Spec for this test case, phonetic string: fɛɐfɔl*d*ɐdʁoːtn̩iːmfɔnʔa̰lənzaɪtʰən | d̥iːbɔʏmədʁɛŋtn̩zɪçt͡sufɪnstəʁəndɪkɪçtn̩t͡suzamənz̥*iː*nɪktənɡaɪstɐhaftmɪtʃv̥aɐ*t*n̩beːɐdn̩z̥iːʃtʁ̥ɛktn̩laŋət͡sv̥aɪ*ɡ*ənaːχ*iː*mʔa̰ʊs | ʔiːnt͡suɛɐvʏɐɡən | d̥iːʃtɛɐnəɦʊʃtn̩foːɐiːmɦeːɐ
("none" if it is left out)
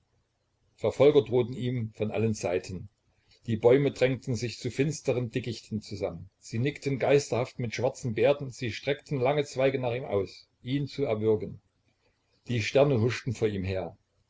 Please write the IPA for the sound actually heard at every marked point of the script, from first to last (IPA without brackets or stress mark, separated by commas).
ɡ, iː, t͡s, ɡ, iː